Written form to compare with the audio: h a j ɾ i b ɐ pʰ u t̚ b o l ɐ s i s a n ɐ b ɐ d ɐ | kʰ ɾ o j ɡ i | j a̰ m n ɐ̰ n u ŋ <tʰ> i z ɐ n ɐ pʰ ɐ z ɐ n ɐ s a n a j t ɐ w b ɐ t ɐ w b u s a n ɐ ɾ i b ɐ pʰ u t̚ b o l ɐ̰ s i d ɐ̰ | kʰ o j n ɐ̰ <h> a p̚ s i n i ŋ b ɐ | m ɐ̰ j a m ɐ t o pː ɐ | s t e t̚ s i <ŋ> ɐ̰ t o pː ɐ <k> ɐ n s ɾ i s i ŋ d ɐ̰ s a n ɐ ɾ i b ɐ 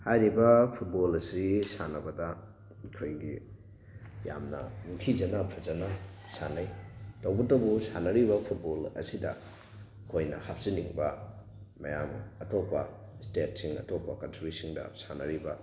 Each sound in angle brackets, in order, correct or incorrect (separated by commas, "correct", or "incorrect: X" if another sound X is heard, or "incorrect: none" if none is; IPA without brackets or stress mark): correct, correct, correct, correct